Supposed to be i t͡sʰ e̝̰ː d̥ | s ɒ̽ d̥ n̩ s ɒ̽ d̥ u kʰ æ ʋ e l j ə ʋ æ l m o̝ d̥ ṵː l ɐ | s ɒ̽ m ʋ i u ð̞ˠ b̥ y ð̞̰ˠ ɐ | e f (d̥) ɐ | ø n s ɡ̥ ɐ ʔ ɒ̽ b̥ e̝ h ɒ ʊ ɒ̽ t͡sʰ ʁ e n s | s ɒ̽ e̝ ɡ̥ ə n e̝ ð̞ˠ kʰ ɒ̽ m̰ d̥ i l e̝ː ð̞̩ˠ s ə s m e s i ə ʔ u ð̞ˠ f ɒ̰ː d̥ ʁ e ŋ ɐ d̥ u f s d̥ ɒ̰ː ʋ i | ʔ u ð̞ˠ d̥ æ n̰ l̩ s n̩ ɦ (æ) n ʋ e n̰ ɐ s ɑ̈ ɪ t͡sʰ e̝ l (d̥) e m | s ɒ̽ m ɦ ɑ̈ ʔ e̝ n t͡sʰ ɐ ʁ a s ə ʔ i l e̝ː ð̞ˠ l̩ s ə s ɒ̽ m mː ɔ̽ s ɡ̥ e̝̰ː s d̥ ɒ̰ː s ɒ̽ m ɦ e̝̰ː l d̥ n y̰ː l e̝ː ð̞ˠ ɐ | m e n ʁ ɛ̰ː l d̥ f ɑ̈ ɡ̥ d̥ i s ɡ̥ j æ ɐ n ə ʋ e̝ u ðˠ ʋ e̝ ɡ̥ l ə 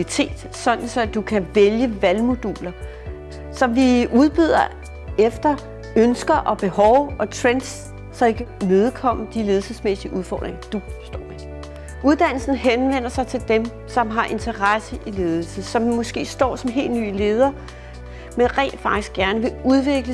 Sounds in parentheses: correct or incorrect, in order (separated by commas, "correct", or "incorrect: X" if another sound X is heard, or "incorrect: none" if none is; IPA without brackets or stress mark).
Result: correct, incorrect: e, correct